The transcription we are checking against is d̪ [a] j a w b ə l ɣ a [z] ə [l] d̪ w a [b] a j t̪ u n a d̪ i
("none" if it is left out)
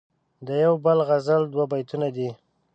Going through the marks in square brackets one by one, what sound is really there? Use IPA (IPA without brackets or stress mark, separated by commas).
ə, z, l, b